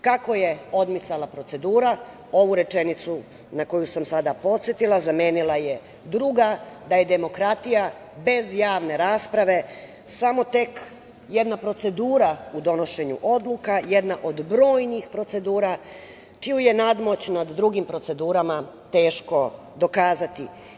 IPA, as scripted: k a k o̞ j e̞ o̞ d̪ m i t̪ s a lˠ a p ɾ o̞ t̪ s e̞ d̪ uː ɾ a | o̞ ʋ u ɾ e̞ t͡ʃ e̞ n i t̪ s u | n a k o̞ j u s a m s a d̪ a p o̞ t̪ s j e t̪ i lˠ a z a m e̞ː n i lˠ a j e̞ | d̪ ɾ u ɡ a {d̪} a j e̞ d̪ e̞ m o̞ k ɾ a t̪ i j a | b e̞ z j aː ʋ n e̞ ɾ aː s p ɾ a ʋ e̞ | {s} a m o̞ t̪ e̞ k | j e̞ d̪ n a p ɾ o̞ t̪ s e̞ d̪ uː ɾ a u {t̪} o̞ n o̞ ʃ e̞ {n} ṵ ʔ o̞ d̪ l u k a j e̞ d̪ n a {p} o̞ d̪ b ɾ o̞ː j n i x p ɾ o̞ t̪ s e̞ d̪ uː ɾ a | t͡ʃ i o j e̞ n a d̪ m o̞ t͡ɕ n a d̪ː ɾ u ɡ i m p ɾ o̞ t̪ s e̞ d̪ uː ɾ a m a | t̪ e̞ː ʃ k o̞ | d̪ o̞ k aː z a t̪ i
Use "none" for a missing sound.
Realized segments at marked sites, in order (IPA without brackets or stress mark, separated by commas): d̪, s, d̪, ɲ, ʔ